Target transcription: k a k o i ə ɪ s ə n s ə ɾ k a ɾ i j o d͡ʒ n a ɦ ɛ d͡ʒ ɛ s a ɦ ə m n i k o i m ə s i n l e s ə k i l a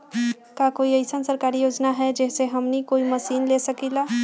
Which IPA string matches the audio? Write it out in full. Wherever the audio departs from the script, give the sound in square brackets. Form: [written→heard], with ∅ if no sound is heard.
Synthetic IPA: k a k o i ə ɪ s ə n s ə ɾ k a ɾ i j o d͡ʒ n a ɦ ɛ d͡ʒ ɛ s [a→e] ɦ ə m n i k o i m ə s i n l e s ə k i l a